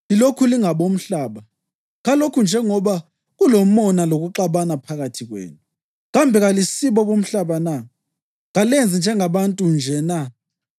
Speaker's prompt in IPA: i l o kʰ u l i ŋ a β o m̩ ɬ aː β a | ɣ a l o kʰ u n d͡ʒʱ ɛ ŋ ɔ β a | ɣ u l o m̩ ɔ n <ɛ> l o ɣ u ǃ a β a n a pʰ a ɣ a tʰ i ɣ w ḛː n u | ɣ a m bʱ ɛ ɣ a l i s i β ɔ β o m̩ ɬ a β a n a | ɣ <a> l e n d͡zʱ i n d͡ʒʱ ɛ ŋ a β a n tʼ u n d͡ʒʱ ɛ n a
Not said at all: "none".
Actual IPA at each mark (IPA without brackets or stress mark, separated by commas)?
a, a